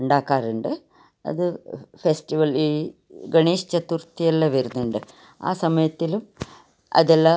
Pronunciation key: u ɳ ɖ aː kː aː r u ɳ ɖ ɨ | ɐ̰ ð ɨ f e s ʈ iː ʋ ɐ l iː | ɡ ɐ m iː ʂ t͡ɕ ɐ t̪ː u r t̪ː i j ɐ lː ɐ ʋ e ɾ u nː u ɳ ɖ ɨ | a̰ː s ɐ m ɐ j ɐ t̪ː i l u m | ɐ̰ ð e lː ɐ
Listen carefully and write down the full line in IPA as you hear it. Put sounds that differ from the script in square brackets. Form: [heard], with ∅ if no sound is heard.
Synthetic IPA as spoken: u ɳ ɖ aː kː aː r u ɳ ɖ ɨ | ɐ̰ ð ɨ f e s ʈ [i] ʋ ɐ l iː | ɡ ɐ [ɳ] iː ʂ t͡ɕ ɐ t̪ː u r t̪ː i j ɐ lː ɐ ʋ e ɾ u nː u ɳ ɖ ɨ | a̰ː s ɐ m ɐ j ɐ t̪ː i l u m | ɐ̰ ð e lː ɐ